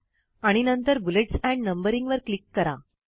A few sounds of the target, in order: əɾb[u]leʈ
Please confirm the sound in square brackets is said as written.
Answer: yes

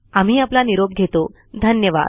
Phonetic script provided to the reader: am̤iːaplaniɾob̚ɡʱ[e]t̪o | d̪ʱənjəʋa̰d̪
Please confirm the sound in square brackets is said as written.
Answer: yes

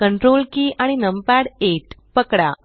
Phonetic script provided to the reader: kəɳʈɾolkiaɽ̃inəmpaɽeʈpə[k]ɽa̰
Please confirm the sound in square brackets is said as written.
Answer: yes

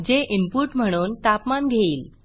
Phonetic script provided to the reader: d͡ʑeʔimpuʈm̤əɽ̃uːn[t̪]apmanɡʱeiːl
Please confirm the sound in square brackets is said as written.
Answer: yes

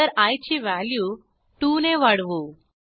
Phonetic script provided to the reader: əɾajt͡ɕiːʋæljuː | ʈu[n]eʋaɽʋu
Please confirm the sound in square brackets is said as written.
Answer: yes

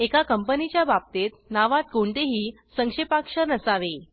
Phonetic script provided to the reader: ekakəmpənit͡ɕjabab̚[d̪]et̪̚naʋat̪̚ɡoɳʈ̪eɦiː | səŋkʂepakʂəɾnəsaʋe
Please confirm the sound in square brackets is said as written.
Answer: no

